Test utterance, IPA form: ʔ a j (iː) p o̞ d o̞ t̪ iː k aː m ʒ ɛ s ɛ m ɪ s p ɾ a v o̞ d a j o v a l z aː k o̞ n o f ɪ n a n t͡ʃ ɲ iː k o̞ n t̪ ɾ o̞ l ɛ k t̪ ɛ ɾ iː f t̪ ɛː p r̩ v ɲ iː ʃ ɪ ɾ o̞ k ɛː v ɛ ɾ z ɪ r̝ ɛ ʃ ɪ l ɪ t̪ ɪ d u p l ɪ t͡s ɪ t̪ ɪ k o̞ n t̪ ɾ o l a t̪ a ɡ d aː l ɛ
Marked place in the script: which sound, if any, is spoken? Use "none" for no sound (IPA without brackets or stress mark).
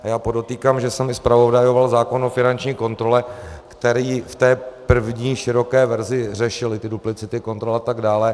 aː